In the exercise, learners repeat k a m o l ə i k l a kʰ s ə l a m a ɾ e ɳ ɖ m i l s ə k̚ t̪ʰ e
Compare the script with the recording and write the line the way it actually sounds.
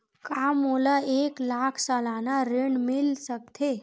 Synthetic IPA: k a m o l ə e k l a kʰ s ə l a n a ɾ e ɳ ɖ m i l s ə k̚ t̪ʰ e